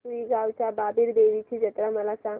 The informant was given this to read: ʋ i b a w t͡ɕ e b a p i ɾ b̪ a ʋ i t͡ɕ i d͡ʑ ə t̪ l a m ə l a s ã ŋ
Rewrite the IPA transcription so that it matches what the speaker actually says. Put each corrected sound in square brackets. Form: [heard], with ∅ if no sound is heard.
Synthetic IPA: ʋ i [ɡ] a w t͡ɕ [a] b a [b] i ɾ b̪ [e] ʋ i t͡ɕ i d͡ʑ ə t̪ [ɾ] a m ə l a s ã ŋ